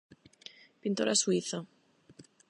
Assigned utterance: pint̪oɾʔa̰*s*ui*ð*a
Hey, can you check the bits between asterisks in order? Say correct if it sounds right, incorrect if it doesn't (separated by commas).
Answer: correct, incorrect